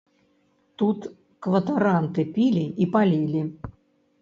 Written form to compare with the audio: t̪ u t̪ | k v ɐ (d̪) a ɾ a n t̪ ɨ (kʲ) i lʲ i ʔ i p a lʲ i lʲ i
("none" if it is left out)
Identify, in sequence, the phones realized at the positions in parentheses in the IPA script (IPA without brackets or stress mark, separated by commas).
t̪, pʲ